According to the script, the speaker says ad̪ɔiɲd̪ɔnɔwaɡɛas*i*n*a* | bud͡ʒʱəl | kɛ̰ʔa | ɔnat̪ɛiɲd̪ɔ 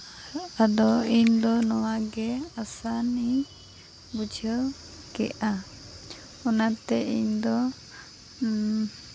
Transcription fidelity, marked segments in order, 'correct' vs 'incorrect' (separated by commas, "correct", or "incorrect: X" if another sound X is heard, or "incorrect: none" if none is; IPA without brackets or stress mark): incorrect: a, incorrect: i